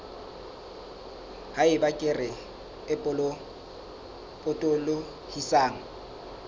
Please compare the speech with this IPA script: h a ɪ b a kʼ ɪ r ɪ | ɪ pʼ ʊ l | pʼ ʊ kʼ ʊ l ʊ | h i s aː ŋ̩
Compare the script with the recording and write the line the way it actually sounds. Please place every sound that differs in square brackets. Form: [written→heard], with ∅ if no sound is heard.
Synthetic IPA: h a ɪ b a kʼ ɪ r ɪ | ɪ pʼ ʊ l | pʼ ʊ [kʼ→tʼ] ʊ l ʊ | h i s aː ŋ̩